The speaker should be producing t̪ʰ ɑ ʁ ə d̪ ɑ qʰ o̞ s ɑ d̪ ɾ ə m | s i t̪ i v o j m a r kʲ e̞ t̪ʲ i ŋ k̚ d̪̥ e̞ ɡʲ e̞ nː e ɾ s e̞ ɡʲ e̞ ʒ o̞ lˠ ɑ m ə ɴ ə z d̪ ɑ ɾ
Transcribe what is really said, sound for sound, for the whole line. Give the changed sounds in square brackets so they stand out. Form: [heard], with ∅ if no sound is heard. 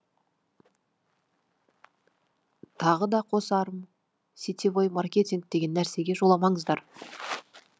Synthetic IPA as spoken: t̪ʰ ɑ ʁ ə d̪ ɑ qʰ o̞ s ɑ [∅] ɾ ə m | s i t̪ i v o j m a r kʲ e̞ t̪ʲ i ŋ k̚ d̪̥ e̞ ɡʲ e̞ nː [æ] ɾ s e̞ ɡʲ e̞ ʒ o̞ lˠ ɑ m [ɑ] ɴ ə z d̪ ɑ ɾ